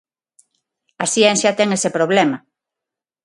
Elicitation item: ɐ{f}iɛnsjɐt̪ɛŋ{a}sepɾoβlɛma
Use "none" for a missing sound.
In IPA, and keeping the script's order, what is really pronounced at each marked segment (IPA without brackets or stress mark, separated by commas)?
s, e